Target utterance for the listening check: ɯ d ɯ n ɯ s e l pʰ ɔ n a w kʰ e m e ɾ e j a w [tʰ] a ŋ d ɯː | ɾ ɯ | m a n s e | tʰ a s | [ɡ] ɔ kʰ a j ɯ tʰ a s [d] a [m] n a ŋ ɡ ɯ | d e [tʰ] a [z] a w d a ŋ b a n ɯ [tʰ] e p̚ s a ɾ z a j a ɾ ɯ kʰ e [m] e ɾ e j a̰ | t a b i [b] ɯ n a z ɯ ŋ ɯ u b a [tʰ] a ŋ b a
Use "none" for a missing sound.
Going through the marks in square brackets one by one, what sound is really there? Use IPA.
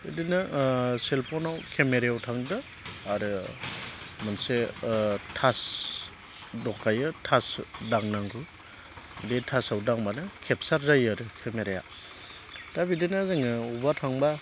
tʰ, d, d, ŋ, tʰ, s, kʰ, m, d, tʰ

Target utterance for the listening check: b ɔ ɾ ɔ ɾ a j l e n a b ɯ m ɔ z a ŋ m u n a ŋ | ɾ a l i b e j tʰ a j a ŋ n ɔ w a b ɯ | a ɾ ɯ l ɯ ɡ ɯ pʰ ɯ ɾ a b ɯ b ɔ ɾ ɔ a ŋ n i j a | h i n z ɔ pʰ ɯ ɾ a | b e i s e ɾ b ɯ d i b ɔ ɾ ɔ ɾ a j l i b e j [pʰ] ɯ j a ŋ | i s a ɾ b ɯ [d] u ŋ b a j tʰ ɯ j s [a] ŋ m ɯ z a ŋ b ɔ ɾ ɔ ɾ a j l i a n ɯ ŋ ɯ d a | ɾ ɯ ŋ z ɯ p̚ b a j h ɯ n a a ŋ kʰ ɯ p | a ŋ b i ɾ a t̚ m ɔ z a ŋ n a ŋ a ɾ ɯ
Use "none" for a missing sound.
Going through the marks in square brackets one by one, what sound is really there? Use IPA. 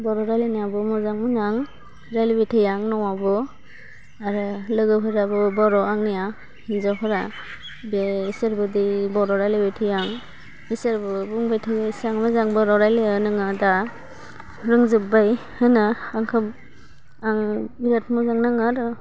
tʰ, b, a

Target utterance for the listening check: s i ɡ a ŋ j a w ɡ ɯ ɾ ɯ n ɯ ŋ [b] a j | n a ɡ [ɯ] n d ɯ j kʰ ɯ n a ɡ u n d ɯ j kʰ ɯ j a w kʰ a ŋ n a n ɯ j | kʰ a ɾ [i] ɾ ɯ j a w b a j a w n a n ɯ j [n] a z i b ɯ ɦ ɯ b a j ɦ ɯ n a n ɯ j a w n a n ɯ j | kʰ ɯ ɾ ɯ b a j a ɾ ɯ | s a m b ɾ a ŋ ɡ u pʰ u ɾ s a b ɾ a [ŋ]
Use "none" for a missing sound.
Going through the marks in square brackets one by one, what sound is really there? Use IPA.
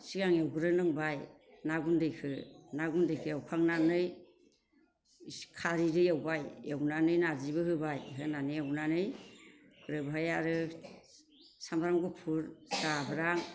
b, u, i, n, ŋ

